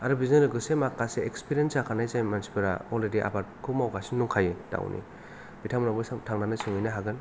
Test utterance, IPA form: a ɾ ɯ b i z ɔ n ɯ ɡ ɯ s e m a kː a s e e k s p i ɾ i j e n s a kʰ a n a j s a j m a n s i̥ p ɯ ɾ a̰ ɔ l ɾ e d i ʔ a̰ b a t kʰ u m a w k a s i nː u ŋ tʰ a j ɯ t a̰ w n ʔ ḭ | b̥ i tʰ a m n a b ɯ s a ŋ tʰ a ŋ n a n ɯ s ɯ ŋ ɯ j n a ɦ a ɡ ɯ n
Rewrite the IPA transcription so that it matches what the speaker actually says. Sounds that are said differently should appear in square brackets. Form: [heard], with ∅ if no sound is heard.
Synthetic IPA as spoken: a ɾ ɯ b i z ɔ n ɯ ɡ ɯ s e m a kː a s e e k s p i ɾ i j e n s a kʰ a n a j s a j m a n s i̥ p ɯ ɾ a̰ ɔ l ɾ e d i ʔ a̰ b a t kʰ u m a w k a s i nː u ŋ [kʰ] a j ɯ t a̰ w n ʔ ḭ | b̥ i tʰ a m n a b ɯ s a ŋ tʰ a ŋ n a n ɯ s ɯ ŋ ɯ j n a ɦ a ɡ ɯ n